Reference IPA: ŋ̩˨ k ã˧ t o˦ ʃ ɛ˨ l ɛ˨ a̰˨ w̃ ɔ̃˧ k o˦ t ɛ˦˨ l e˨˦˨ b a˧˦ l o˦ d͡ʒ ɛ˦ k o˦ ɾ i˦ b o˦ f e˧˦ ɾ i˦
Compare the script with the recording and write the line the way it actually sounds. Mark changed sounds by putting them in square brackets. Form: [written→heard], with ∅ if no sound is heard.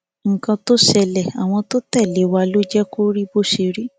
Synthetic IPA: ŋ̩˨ k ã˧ t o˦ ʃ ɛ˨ l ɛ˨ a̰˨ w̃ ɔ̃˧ [k→t] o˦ t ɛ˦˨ l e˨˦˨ [b→w] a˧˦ l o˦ d͡ʒ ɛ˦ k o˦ ɾ i˦ b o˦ [f→ʃ] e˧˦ ɾ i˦